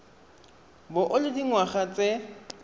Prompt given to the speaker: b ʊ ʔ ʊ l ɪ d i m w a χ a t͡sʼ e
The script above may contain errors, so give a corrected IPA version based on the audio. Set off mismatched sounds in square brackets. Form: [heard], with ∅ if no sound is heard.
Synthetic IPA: b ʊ ʔ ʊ l ɪ d i [ŋ] w a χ a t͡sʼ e

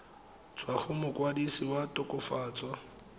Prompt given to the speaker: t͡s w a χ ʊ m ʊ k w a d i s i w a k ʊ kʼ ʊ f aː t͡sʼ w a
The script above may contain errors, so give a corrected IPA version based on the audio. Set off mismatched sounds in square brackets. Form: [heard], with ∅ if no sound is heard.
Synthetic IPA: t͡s w a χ ʊ m ʊ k w a d i s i w a [t] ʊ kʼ ʊ f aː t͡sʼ w a

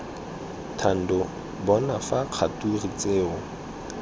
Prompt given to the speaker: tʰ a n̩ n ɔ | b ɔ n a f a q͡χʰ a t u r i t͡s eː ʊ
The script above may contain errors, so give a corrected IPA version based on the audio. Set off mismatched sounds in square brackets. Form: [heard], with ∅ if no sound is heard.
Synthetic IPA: tʰ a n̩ [d] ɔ | b ɔ n a f a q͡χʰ a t u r i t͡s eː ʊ

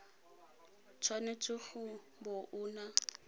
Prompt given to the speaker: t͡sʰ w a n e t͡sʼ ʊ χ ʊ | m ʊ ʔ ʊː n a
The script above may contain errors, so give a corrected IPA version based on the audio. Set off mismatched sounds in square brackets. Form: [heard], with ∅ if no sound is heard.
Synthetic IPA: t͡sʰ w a n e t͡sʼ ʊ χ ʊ | [b] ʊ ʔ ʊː n a

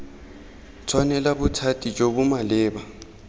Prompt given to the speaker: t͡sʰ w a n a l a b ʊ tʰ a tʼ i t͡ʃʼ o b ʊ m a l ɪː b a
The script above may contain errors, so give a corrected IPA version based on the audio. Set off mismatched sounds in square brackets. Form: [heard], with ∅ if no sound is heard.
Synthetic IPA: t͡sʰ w a n [ɛ] l a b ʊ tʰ a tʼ i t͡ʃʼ o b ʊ m a l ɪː b a

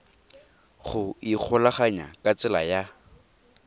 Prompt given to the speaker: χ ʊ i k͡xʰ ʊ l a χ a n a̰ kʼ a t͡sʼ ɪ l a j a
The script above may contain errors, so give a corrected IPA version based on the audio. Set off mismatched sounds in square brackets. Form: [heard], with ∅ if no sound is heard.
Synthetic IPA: χ ʊ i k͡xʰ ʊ l a χ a [ɲ] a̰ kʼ a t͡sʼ ɪ l a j a

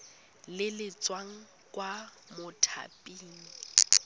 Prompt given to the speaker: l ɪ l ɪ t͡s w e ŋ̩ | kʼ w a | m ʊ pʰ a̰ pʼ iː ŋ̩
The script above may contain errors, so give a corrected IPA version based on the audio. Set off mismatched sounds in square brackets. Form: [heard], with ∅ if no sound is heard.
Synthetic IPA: l ɪ l ɪ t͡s w [a] ŋ̩ | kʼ w a | m ʊ [tʰ] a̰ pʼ iː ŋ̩

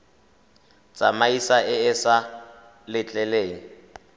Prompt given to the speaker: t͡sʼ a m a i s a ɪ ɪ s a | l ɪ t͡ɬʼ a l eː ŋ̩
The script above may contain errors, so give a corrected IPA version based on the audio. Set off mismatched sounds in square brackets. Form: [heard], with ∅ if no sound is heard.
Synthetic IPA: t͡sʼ a m a i s a ɪ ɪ s a | l ɪ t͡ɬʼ [ɛ] l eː ŋ̩

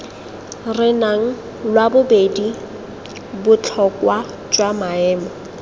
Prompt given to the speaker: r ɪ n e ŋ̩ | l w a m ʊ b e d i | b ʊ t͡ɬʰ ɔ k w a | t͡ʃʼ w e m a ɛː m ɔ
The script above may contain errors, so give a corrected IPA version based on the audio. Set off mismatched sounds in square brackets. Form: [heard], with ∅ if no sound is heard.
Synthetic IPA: r ɪ n [a] ŋ̩ | l w a [b] ʊ b e d i | b ʊ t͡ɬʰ ɔ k w a | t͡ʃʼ w [a] m a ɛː m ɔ

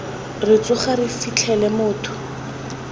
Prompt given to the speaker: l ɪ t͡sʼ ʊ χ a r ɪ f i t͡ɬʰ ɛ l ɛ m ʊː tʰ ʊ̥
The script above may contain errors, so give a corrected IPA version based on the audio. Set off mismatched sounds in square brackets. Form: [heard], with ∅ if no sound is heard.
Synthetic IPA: [r] ɪ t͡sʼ ʊ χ a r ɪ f i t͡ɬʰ ɛ l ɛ m ʊː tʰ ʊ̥

